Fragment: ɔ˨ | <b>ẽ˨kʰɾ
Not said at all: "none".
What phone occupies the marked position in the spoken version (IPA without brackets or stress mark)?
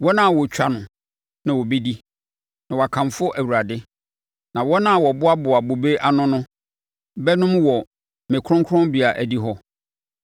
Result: m